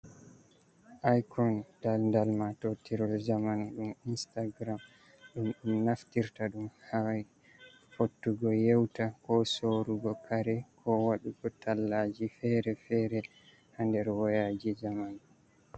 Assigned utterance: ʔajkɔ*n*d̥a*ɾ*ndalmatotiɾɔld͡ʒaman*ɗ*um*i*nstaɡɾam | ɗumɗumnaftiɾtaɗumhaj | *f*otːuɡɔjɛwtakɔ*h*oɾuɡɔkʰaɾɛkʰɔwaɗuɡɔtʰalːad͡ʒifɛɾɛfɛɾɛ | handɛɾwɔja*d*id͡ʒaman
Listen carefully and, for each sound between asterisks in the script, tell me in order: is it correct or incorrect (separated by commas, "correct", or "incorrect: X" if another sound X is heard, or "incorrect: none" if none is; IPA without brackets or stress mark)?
correct, incorrect: l, correct, correct, correct, incorrect: s, incorrect: d͡ʒ